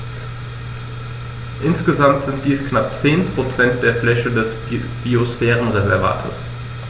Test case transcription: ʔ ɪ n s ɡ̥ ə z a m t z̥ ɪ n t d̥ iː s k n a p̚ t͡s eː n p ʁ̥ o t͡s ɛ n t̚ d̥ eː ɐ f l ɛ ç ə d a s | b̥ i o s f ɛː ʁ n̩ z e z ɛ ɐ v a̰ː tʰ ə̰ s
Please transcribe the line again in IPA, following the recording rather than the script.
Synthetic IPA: ʔ ɪ n s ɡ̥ ə z a m t z̥ ɪ n t d̥ iː s k n a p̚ t͡s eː n p ʁ̥ o t͡s ɛ n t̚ d̥ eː ɐ f l ɛ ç ə d ɛ s | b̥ i o s f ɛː ʁ n̩ ʁ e z ɛ ɐ v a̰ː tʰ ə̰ s